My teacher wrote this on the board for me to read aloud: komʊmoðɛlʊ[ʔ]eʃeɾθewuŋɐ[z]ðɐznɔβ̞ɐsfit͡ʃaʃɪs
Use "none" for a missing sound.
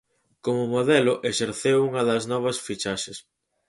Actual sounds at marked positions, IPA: ʔ, none

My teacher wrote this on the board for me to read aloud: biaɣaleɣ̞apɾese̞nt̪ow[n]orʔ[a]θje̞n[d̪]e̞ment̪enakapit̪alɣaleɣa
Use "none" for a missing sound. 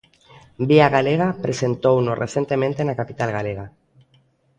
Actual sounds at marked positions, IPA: n, e, t̪

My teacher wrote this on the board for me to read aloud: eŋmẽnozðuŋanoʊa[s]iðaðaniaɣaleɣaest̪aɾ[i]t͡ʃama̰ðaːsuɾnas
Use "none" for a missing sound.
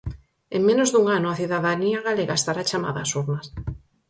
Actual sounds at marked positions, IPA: θ, a

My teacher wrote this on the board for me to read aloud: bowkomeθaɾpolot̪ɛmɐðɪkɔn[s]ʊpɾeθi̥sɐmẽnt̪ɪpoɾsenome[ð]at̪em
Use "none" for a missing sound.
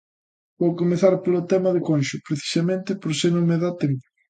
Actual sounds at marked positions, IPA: ʃ, ð

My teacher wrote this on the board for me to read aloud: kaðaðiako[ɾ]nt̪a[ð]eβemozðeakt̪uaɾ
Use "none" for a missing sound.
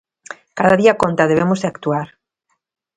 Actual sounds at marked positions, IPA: none, ð

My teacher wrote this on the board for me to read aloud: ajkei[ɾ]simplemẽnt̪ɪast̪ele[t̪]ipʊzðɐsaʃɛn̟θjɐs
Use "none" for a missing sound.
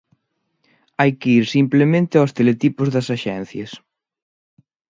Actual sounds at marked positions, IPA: ɾ, t̪

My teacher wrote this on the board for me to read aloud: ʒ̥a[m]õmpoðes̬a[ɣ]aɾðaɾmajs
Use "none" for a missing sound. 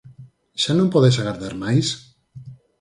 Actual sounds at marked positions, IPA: n, ɣ

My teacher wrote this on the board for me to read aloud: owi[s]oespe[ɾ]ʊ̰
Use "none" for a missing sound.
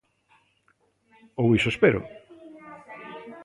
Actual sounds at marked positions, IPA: s, ɾ

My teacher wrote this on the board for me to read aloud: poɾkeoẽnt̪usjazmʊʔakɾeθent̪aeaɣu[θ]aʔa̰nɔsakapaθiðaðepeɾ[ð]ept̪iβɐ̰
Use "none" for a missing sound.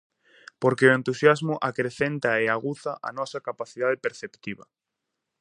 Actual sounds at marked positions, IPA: θ, θ

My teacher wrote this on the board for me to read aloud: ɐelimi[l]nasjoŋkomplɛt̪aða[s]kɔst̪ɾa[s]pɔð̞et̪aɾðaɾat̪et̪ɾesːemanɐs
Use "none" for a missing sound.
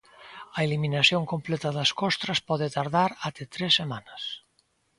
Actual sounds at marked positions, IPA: none, s, s

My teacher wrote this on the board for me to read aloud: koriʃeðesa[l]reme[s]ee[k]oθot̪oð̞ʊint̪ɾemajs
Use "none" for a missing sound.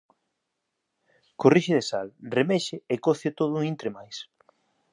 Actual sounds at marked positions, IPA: l, ʃ, k

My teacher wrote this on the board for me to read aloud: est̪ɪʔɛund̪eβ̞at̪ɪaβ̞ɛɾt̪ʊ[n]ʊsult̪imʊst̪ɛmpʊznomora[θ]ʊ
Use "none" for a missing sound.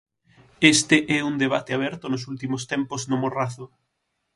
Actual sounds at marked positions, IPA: n, θ

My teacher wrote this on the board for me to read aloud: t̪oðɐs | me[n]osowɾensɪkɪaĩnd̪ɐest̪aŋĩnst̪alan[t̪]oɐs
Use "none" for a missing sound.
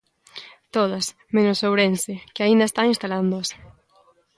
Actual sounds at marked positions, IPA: n, d̪

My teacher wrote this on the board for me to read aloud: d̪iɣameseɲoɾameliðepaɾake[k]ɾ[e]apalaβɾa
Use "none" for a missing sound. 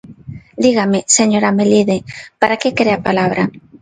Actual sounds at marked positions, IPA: k, e

